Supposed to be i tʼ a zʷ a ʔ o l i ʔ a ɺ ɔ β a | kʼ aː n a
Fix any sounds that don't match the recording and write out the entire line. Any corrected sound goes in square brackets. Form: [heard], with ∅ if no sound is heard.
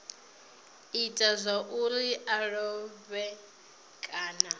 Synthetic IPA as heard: i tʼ a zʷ a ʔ [u] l i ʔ a ɺ ɔ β [ɛ] | kʼ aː n a